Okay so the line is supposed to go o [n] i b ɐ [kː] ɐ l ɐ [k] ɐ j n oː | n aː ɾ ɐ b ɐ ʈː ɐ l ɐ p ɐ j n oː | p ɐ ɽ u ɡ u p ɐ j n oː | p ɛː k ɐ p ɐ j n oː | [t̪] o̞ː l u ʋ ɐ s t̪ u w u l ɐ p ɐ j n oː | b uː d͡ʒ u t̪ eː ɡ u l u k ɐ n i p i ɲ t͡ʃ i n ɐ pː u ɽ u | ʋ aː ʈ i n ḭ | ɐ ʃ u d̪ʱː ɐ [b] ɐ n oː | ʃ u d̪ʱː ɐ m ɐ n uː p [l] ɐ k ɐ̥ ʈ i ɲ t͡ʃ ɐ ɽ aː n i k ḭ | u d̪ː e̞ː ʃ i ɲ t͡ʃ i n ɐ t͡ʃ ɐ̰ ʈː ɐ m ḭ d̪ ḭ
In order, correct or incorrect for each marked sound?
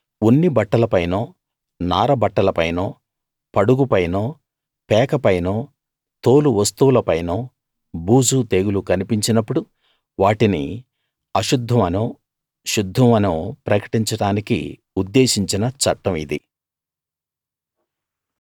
incorrect: nː, incorrect: ʈː, incorrect: p, correct, incorrect: m, incorrect: ɾ

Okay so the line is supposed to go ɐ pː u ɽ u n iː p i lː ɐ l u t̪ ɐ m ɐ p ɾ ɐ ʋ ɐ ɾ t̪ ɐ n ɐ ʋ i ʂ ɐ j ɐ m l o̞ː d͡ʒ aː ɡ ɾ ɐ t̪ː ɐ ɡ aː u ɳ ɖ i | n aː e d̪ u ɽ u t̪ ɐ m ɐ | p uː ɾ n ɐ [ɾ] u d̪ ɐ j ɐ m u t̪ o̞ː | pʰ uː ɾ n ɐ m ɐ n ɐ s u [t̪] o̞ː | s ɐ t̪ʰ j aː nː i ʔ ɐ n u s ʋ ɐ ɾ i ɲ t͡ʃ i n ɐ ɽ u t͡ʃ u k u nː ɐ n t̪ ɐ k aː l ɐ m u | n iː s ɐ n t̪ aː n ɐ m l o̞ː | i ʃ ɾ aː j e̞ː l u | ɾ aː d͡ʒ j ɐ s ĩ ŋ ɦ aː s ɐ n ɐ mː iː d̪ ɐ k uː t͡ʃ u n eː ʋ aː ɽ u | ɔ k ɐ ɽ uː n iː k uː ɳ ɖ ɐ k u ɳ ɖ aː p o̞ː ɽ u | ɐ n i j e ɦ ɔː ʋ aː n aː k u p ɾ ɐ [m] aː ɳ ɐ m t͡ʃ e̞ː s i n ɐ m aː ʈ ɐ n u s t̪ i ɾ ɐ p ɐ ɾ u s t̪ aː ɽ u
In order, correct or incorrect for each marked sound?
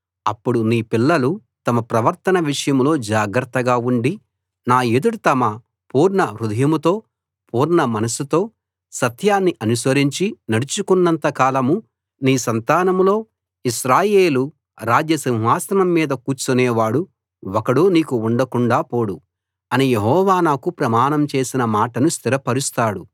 correct, correct, correct

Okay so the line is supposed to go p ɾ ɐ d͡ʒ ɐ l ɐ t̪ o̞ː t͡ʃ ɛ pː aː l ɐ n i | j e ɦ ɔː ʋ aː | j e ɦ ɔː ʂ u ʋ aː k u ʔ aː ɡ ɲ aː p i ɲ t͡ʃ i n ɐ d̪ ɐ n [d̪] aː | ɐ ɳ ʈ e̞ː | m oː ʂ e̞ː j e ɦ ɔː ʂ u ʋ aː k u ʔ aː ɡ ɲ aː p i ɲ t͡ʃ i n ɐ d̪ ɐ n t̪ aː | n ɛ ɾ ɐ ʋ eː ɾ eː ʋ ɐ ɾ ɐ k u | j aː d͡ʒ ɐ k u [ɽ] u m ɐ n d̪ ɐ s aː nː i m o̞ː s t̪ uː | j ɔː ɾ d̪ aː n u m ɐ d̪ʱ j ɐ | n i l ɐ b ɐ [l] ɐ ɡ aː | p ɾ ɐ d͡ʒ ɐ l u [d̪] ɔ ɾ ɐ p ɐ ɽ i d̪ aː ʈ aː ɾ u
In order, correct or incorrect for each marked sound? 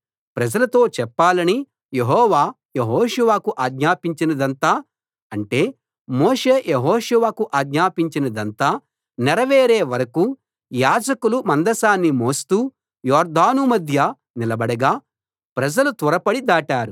incorrect: t̪, incorrect: l, incorrect: ɽ, incorrect: t̪

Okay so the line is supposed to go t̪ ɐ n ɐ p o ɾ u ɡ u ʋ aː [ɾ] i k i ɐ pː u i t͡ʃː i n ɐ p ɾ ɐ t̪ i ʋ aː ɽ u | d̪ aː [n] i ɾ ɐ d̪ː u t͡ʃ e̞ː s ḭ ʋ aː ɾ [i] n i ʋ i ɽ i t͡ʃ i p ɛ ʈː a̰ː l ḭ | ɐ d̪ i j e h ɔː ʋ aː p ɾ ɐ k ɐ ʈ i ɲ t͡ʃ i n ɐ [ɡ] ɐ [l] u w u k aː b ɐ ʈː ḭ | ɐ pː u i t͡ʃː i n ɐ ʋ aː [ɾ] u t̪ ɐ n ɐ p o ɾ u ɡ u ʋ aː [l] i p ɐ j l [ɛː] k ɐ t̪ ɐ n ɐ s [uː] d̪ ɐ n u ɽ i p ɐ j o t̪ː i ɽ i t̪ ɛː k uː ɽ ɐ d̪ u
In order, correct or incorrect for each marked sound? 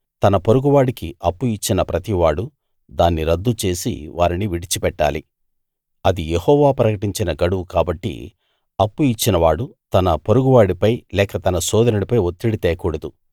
incorrect: ɽ, incorrect: nː, correct, correct, incorrect: ɽ, incorrect: ɽ, incorrect: ɽ, correct, incorrect: ɔː

